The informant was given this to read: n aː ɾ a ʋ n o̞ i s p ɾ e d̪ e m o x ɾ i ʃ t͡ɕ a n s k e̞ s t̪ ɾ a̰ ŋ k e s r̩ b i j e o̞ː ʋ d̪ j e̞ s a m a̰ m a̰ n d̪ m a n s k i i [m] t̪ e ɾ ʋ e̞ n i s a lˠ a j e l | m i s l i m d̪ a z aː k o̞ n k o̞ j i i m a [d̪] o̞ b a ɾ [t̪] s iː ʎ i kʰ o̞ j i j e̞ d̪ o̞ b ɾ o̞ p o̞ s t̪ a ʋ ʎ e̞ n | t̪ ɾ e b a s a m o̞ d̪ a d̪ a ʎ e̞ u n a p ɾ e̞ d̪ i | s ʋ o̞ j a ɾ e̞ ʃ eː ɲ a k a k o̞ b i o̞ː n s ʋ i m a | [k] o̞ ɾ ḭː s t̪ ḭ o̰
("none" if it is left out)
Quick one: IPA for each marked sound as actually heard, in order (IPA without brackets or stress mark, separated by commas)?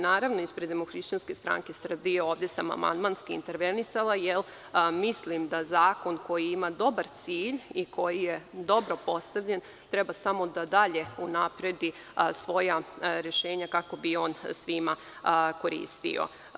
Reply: n, d̪, t̪, k